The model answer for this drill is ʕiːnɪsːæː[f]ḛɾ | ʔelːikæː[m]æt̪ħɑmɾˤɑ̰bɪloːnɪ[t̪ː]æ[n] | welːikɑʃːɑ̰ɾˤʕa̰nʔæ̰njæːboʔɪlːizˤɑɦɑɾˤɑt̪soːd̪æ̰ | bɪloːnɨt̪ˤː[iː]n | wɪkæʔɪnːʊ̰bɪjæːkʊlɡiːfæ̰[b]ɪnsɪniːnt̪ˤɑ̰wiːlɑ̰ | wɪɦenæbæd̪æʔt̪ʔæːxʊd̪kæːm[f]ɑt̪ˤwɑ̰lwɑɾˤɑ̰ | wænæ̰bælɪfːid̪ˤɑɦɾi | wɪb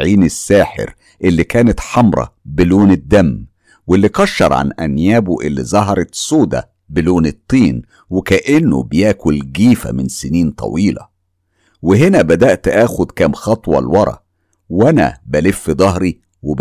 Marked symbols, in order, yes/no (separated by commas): no, no, no, no, yes, no, no